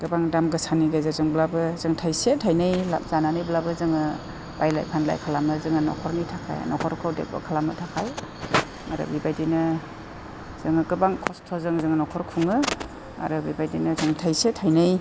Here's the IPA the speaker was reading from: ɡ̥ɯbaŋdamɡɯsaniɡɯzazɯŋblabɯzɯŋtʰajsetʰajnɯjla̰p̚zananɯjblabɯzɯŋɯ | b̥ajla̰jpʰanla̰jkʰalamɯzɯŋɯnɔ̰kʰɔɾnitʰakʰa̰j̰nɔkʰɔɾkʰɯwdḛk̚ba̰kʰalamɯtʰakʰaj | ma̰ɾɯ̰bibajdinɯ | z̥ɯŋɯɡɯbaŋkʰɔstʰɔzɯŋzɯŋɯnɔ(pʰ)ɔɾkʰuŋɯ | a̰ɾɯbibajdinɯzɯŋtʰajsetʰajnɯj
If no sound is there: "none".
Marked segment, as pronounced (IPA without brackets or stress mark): kʰ